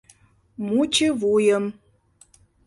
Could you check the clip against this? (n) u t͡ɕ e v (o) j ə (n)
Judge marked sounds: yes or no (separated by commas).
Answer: no, no, no